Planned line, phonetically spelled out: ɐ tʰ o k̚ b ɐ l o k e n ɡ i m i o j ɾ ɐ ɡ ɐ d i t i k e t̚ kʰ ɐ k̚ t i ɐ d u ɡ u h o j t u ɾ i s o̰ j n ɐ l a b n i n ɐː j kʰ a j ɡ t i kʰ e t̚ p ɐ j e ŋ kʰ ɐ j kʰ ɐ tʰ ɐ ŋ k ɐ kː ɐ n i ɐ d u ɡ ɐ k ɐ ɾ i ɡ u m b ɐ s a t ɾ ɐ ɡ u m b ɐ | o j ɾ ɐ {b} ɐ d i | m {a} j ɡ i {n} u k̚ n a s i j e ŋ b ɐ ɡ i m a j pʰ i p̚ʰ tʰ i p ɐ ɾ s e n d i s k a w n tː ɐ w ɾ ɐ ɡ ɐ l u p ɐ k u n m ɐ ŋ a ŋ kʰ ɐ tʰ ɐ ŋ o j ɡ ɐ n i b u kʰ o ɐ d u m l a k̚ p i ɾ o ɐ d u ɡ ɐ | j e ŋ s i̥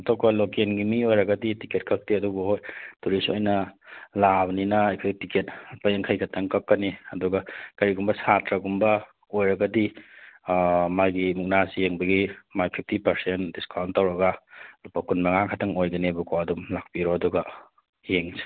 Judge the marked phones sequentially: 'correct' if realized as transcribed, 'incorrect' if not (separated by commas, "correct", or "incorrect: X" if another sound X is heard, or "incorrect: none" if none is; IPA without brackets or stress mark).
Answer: incorrect: ɡ, correct, incorrect: m